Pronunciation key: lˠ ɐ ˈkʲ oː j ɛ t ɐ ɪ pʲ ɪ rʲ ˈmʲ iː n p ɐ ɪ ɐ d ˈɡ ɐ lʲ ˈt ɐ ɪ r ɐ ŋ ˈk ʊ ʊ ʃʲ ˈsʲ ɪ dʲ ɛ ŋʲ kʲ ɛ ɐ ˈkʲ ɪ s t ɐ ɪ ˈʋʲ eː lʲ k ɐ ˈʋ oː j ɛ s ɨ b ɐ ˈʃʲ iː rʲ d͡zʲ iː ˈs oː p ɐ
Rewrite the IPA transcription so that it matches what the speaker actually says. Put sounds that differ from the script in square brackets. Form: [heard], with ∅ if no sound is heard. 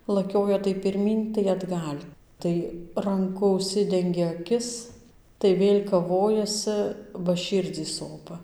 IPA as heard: lˠ ɐ ˈkʲ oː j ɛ t ɐ ɪ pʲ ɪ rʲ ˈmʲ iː n [t] ɐ ɪ ɐ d ˈɡ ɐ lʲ ˈt ɐ ɪ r ɐ ŋ ˈk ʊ ʊ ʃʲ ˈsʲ ɪ dʲ ɛ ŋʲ [ɡʲ] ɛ ɐ ˈkʲ ɪ s t ɐ ɪ ˈʋʲ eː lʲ k ɐ ˈʋ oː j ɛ s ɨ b ɐ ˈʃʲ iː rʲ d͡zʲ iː ˈs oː p ɐ